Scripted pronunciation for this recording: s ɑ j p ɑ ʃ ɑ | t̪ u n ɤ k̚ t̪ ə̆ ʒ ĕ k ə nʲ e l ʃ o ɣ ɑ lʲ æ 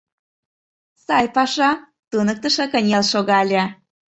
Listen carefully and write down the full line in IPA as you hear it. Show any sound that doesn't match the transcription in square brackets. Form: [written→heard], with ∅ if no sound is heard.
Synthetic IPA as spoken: s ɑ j p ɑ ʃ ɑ | t̪ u n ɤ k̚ t̪ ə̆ [ʒ→ʃ] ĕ k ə nʲ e l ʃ o ɣ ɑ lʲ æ